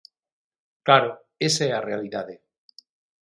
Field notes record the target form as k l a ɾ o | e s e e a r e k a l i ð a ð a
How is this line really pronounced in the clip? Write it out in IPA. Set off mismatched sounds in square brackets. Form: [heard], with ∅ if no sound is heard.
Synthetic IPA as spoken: k l a ɾ o | e s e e a r e [∅] a l i ð a ð [e]